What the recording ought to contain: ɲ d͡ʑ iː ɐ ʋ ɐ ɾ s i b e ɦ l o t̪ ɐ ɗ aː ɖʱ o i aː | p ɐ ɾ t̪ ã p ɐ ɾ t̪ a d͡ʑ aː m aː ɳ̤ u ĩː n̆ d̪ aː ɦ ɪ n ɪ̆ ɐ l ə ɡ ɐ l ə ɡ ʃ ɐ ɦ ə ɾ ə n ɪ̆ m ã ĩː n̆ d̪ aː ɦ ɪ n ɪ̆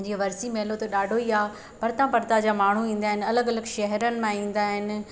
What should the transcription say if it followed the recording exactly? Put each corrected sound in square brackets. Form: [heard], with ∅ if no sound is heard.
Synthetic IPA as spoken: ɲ d͡ʑ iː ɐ ʋ ɐ ɾ s i [m] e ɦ l o t̪ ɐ ɗ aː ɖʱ o i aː | p ɐ ɾ t̪ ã p ɐ ɾ t̪ a d͡ʑ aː m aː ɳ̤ u ĩː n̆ d̪ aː ɦ ɪ n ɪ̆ ɐ l ə ɡ ɐ l ə ɡ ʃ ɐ ɦ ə ɾ ə n ɪ̆ m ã ĩː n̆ d̪ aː ɦ ɪ n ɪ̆